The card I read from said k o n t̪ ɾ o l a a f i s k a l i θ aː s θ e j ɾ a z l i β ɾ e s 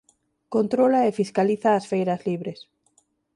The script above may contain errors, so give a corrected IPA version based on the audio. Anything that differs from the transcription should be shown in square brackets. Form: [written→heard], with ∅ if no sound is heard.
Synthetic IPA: k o n t̪ ɾ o l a [a→e] f i s k a l i θ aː s [θ→f] e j ɾ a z l i β ɾ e s